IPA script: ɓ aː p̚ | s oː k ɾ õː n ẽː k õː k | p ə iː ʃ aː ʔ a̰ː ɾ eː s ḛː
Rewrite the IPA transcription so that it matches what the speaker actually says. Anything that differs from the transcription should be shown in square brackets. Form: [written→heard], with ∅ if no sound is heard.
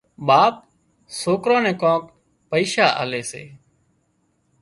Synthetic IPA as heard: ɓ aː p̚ | s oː k ɾ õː n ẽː k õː k | p ə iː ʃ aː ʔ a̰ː [ɾ→l] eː s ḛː